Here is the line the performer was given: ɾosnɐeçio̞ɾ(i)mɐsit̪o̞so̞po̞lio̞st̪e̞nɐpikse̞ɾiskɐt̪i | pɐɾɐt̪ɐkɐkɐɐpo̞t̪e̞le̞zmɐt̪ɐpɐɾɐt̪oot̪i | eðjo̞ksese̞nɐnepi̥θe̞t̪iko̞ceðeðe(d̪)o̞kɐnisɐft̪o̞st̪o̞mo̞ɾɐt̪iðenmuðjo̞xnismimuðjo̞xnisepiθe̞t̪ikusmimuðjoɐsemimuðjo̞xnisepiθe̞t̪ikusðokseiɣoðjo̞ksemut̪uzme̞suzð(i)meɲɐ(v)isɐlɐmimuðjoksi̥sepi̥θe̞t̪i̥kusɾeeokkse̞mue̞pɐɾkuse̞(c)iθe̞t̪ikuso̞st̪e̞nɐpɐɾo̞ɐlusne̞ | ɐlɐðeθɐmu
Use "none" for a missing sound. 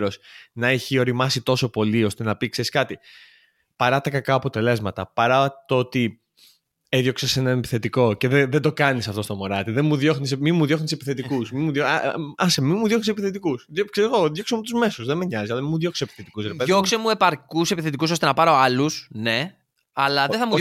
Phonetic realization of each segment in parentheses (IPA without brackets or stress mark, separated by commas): i, d̪, e, z, p